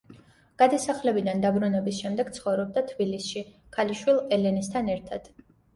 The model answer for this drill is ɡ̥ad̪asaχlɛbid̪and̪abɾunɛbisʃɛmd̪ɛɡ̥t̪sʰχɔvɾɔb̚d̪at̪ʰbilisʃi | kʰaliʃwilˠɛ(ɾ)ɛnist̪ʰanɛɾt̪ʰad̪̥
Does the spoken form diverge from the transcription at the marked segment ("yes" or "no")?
yes